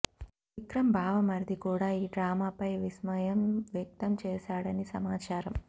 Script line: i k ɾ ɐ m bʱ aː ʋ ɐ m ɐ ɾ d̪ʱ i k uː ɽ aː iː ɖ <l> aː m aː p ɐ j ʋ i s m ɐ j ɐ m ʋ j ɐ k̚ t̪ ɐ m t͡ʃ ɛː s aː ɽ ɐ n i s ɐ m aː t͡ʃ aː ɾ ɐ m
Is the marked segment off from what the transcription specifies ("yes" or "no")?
yes